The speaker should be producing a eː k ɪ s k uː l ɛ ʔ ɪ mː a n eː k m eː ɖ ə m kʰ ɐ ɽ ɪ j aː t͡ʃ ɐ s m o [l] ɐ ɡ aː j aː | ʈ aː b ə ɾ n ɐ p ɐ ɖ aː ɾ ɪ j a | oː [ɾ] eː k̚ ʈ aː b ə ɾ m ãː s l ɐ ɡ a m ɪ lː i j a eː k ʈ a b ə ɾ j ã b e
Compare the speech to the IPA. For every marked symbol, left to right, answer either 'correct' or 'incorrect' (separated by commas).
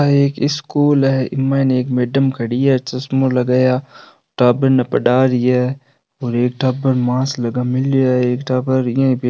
correct, correct